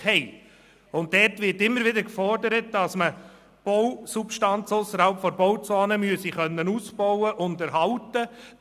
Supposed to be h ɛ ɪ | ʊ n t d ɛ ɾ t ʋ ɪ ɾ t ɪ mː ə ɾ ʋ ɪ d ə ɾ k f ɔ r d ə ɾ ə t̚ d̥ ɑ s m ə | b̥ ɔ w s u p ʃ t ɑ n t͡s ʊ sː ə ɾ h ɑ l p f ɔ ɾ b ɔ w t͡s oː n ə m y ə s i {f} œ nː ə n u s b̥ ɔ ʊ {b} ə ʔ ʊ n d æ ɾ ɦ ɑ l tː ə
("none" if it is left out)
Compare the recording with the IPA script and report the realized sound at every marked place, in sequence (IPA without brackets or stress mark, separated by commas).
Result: χ, w